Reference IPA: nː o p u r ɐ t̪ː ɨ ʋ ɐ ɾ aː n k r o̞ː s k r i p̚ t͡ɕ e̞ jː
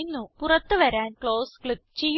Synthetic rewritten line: nː u p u r ɐ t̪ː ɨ ʋ ɐ ɾ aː n k ɭ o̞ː s k ɭ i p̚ t͡ɕ e̞ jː